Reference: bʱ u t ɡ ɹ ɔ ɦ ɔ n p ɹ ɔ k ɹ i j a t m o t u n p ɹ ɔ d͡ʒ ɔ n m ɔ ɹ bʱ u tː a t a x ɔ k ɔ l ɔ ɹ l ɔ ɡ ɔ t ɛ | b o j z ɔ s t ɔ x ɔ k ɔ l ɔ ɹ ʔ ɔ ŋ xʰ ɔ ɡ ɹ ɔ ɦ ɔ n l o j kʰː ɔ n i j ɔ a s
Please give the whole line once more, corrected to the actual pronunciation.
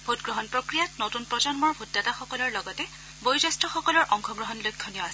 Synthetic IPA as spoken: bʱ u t ɡ ɹ ɔ ɦ ɔ n p ɹ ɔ k ɹ i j a t n o t u n p ɹ ɔ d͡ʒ ɔ n m ɔ ɹ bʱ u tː a t a x ɔ k ɔ l ɔ ɹ l ɔ ɡ ɔ t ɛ | b o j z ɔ s t ɔ x ɔ k ɔ l ɔ ɹ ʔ ɔ ŋ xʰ ɔ ɡ ɹ ɔ ɦ ɔ n l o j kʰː ɔ n i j ɔ a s